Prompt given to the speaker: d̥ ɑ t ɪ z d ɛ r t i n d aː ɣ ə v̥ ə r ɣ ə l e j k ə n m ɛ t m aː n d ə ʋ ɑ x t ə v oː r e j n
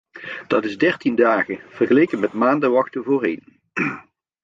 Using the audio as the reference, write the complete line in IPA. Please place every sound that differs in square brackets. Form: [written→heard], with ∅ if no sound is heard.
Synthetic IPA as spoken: d̥ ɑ t ɪ z d ɛ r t i n d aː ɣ ə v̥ ə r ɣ ə l e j k ə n m ɛ t m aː n d ə ʋ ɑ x t ə v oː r e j n